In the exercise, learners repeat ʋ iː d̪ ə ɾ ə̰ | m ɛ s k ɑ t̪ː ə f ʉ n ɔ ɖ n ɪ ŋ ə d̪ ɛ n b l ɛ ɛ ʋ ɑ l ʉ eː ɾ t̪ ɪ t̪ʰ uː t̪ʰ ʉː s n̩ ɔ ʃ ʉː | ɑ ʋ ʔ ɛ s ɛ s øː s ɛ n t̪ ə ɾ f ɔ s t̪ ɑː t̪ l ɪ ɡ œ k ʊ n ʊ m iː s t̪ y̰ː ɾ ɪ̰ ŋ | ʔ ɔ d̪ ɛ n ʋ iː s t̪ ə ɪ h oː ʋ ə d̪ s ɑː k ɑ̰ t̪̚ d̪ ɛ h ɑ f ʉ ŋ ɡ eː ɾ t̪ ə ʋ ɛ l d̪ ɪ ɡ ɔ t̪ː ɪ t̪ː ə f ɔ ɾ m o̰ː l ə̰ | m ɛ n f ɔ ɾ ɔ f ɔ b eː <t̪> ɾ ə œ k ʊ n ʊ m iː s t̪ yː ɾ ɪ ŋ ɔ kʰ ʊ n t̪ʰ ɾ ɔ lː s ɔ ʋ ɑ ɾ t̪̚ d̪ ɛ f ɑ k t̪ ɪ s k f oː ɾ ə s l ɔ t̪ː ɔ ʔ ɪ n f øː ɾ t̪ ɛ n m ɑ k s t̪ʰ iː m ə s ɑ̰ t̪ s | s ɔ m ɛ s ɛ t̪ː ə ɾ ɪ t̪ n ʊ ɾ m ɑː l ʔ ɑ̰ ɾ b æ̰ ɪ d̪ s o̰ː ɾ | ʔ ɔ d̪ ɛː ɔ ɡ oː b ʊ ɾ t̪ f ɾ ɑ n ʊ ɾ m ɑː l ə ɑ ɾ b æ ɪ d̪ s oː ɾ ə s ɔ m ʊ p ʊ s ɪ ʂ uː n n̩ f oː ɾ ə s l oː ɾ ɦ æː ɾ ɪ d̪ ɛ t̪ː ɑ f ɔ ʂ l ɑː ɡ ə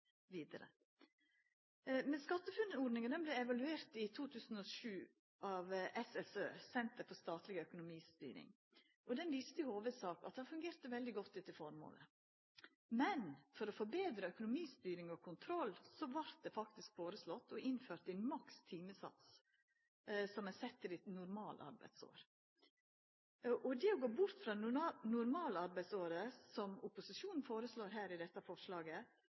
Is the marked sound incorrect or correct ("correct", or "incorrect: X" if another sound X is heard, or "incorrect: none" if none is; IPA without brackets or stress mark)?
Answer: incorrect: d̪